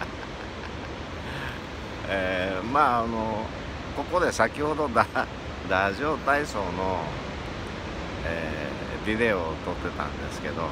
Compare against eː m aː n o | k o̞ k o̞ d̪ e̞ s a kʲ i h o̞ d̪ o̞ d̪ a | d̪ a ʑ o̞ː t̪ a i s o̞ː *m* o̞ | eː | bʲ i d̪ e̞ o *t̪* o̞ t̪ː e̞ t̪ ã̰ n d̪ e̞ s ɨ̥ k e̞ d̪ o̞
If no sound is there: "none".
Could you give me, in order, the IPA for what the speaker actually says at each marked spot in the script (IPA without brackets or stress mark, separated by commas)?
n, t̪